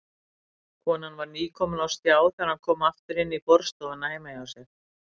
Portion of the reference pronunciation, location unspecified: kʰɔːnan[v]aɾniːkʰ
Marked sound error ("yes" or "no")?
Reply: no